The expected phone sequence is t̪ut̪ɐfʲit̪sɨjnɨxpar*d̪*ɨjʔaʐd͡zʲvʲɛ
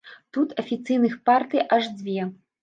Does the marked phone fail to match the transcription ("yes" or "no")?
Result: yes